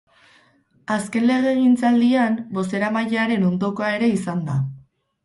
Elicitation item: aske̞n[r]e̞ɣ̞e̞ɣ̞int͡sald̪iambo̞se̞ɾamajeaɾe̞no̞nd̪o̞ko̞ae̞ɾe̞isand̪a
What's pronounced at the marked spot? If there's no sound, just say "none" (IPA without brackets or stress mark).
l